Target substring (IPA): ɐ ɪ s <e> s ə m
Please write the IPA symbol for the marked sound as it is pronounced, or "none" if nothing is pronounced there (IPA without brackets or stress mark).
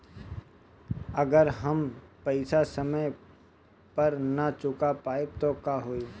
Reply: a